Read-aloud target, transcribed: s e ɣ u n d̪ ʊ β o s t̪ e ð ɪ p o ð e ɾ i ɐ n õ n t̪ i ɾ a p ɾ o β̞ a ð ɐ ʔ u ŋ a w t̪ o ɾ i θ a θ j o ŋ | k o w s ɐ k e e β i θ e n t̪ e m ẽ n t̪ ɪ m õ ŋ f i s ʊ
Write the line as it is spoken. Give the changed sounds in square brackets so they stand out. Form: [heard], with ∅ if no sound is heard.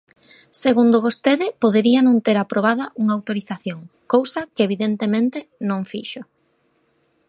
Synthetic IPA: s e ɣ u n d̪ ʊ β o s t̪ e ð ɪ p o ð e ɾ i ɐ n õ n t̪ [e] ɾ a p ɾ o β̞ a ð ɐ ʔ u ŋ a w t̪ o ɾ i θ a θ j o ŋ | k o w s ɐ k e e β i [ð] e n t̪ e m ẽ n t̪ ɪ [n] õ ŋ f i [ʃ] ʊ